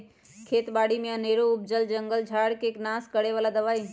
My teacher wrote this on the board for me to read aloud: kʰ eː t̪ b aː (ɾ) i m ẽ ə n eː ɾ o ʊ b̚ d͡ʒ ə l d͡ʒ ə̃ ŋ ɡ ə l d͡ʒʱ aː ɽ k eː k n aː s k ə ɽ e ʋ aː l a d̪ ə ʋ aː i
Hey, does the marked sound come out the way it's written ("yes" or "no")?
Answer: no